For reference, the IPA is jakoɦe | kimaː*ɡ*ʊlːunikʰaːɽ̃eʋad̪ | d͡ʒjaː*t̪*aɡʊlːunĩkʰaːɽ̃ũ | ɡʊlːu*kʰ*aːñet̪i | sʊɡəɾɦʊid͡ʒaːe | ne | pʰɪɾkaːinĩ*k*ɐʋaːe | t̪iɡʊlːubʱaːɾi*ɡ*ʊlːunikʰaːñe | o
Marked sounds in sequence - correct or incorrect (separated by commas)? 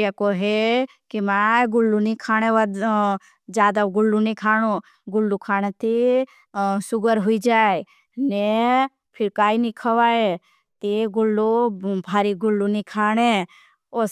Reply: correct, incorrect, correct, incorrect, correct